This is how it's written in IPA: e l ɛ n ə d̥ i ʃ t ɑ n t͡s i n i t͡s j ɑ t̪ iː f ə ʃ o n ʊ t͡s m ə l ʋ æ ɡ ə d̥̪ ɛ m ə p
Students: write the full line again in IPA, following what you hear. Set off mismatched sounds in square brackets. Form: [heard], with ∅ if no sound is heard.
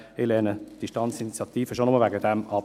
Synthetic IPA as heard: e l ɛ n ə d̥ i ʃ t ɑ n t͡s i n i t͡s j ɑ t̪ iː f ə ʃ o n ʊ [∅] m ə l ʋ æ ɡ ə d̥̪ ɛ m [ɑ] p